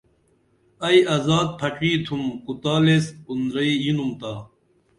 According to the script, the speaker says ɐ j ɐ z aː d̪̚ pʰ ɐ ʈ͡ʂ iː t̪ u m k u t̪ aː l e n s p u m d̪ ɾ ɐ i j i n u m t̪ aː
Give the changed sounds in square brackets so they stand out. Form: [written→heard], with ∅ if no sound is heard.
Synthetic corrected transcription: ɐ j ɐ z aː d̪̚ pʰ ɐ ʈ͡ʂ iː [t̪→t̪ʰ] u m k u t̪ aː l e [n→∅] s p u [m→n] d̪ ɾ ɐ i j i n u m t̪ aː